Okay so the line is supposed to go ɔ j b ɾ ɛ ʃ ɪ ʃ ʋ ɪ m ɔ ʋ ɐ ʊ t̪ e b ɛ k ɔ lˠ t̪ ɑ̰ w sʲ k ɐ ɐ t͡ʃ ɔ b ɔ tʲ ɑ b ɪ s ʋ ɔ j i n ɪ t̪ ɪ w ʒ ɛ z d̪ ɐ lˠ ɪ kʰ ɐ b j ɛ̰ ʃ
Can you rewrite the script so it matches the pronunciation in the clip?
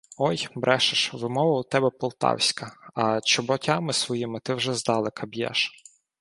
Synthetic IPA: ɔ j b ɾ ɛ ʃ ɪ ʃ ʋ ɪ m ɔ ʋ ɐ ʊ t̪ ɛ b ɛ p ɔ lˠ t̪ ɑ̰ w sʲ k ɐ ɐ t͡ʃ ɔ b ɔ tʲ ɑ m ɪ s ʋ ɔ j i m ɪ t̪ ɪ w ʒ ɛ z d̪ ɑ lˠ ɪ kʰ ɐ b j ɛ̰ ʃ